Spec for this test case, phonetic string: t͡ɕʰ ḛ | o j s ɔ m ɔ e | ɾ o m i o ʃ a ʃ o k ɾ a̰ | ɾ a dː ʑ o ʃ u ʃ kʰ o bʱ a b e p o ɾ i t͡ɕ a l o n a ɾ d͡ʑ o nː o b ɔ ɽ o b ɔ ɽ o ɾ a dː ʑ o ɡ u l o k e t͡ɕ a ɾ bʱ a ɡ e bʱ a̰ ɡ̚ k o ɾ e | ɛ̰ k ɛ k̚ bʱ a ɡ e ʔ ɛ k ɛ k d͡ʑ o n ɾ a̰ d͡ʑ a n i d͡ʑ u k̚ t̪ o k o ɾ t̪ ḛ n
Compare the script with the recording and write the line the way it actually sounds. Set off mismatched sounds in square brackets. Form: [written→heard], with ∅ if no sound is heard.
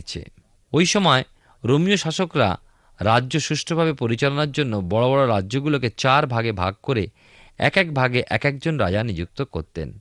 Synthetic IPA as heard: t͡ɕʰ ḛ | o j [s→ʃ] ɔ m ɔ e | ɾ o m i o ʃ a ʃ o k ɾ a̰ | ɾ a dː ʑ o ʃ u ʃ [kʰ→ʈʰ] o bʱ a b e p o ɾ i t͡ɕ a l o n a ɾ d͡ʑ o nː o b ɔ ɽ o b ɔ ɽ o ɾ a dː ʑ o ɡ u l o k e t͡ɕ a ɾ bʱ a ɡ e bʱ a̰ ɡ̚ k o ɾ e | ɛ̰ k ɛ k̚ bʱ a ɡ e ʔ ɛ k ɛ k d͡ʑ o n ɾ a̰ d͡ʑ a n i d͡ʑ u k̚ t̪ o k o ɾ t̪ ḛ n